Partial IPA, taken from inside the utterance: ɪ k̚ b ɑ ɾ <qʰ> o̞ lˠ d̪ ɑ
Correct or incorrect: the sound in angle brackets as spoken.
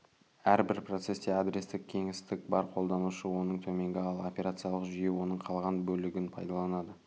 correct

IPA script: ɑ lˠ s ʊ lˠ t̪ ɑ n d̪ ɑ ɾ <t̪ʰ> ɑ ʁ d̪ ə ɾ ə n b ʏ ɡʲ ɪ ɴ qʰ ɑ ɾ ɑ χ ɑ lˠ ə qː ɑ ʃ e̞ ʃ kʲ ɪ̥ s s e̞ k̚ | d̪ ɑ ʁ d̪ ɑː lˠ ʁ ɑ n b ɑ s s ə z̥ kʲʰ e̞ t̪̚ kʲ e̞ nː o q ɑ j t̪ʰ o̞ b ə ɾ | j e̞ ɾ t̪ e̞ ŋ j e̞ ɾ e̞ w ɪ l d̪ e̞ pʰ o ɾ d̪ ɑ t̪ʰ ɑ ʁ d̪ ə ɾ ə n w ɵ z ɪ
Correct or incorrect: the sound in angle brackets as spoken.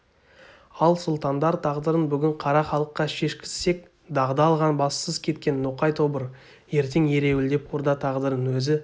correct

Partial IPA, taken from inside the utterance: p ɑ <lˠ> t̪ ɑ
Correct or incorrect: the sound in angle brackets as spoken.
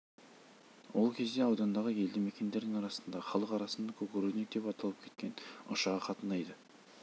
incorrect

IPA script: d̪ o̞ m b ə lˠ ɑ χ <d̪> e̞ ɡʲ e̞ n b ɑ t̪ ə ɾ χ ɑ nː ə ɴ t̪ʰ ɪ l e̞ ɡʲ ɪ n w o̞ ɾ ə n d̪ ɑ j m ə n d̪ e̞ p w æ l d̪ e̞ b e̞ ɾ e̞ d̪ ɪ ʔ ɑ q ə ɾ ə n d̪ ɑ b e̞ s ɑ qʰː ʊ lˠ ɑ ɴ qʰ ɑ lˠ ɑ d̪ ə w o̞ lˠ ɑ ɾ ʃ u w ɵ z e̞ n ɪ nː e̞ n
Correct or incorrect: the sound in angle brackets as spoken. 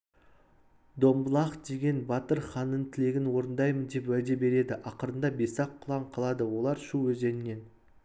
correct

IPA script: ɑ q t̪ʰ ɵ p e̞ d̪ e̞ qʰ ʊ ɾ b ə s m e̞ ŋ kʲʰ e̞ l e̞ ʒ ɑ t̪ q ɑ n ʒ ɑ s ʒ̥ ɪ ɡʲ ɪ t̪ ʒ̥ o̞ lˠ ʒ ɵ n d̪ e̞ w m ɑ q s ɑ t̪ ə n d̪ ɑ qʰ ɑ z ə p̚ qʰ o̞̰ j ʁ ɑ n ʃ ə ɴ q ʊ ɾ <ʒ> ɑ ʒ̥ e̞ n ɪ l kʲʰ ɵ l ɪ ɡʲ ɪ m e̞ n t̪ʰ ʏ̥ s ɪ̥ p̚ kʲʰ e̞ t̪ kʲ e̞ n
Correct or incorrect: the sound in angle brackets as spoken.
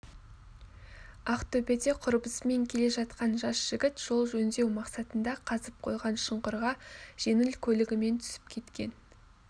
incorrect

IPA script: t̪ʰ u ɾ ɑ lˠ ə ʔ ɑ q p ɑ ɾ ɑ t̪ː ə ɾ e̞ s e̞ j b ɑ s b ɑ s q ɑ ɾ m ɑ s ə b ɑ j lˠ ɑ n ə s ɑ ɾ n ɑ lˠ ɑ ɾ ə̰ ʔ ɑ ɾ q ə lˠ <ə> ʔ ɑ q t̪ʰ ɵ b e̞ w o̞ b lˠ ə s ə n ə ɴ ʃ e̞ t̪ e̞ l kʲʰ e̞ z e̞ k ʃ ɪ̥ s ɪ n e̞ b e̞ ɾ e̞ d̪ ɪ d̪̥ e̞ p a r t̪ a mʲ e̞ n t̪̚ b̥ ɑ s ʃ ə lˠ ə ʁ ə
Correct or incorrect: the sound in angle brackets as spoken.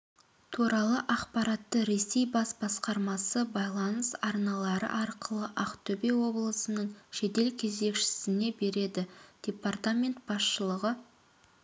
correct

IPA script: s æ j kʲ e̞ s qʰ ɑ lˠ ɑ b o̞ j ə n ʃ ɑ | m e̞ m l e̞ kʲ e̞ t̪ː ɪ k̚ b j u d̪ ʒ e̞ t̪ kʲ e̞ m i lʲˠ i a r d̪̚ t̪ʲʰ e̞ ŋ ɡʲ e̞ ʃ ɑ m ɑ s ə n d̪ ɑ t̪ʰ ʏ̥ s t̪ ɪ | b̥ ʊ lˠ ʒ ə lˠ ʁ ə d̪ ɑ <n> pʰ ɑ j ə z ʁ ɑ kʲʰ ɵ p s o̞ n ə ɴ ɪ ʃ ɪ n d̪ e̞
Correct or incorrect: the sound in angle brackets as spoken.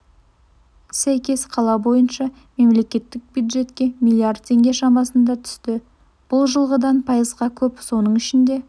correct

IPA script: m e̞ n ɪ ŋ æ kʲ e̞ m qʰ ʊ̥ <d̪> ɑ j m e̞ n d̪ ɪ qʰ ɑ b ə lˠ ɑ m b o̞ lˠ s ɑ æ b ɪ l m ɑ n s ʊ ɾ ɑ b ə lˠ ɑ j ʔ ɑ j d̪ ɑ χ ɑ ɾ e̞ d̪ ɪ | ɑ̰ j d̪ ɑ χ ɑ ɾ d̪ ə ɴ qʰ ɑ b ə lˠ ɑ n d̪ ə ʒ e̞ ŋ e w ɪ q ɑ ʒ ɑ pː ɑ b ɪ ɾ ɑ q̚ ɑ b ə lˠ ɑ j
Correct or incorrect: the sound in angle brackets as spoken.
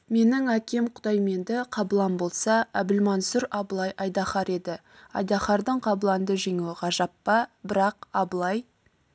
correct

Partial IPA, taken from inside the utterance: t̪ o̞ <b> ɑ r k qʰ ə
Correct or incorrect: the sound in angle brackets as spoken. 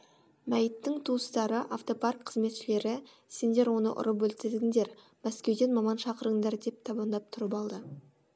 incorrect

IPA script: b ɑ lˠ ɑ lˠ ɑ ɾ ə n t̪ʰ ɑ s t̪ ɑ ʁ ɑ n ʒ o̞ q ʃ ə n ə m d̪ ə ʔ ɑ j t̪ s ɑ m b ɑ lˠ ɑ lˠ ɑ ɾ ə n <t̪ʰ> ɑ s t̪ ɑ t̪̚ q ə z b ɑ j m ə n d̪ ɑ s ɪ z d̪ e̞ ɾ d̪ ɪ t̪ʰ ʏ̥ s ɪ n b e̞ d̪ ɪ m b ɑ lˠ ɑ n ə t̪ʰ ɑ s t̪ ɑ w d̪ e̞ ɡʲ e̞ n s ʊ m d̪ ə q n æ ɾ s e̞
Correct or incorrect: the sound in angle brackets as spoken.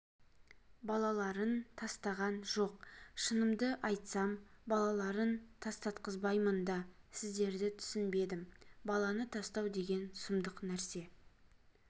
correct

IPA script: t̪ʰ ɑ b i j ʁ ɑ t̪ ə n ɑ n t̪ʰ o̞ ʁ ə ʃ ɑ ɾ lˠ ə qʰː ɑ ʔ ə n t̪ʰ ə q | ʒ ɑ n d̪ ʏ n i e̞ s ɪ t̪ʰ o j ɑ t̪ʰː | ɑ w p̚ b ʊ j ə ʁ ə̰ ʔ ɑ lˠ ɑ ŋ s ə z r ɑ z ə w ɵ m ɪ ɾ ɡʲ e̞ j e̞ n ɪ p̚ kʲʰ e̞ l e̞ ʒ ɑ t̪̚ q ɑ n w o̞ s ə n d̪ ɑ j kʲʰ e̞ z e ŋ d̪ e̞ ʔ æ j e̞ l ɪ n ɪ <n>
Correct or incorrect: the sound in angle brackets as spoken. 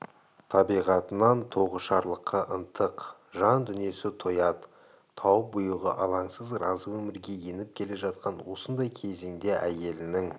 incorrect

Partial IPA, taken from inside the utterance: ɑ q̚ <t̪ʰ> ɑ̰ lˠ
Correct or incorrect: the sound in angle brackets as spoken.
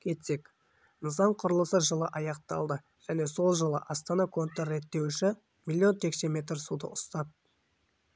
incorrect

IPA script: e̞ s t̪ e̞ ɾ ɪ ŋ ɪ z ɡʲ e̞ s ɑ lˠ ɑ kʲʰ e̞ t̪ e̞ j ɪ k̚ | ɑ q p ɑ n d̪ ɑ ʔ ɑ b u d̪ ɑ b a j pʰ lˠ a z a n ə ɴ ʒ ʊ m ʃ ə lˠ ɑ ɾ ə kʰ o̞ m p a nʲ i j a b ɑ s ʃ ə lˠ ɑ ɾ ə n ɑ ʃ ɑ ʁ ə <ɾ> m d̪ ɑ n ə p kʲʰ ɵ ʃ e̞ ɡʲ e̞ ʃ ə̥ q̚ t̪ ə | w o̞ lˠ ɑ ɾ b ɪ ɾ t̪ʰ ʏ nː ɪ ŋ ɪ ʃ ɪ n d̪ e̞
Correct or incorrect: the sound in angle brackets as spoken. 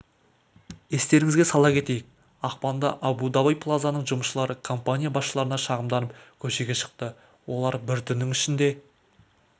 incorrect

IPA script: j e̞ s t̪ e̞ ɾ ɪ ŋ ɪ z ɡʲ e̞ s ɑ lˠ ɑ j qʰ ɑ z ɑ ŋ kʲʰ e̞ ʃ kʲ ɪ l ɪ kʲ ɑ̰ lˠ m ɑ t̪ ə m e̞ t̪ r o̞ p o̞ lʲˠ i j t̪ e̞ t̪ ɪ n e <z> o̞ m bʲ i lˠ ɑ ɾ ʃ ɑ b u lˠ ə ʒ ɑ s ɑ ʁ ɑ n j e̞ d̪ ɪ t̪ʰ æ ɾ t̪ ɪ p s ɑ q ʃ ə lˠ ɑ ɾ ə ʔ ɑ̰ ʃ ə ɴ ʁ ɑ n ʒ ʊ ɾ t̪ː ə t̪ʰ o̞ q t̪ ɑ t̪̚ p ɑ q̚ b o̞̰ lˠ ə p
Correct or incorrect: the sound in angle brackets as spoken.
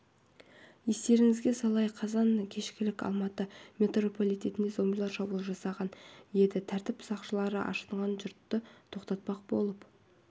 correct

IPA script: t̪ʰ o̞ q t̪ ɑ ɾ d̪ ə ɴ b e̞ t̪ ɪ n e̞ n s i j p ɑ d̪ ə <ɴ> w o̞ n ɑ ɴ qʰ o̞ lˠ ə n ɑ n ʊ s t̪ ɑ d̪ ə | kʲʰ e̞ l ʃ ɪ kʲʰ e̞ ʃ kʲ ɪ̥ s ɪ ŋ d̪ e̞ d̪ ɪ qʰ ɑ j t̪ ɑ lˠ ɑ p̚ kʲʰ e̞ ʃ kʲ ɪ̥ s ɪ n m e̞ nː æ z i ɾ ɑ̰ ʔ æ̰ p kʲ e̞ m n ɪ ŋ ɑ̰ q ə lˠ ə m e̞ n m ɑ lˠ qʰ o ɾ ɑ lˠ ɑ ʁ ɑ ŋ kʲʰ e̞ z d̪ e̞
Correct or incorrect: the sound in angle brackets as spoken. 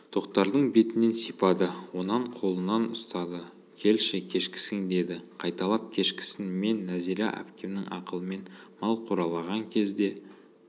incorrect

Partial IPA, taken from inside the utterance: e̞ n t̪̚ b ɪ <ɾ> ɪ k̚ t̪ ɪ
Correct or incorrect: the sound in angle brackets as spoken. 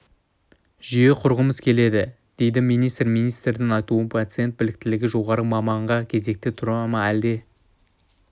incorrect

